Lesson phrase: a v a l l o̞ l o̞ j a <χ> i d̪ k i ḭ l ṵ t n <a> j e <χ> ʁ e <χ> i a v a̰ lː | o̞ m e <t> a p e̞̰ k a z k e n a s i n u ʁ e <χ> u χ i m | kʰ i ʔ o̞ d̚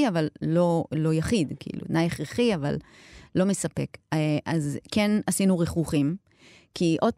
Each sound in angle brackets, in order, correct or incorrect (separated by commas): correct, correct, correct, correct, incorrect, correct